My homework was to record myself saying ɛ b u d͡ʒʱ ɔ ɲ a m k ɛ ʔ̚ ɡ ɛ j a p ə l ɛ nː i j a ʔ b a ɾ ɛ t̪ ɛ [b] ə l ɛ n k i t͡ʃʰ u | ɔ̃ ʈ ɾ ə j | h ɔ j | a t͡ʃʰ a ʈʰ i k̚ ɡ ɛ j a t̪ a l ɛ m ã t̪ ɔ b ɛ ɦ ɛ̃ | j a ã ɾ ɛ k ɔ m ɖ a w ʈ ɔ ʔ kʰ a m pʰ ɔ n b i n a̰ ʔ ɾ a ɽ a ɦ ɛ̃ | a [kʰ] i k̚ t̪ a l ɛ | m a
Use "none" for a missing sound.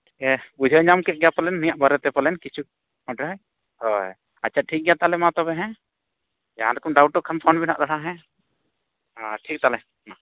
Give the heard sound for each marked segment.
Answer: p, ʈʰ

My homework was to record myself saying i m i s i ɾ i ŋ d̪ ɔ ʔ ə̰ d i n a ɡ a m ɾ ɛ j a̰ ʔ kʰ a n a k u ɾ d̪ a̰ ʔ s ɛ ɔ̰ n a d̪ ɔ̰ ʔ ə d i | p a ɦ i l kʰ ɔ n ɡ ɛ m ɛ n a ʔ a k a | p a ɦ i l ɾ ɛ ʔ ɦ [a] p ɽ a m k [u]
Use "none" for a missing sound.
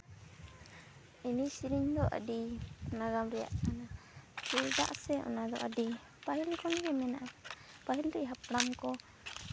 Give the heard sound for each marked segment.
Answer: a, ɔ

